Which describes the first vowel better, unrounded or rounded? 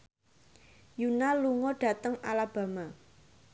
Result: rounded